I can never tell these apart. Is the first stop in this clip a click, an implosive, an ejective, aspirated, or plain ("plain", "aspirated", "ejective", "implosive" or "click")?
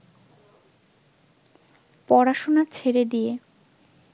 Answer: plain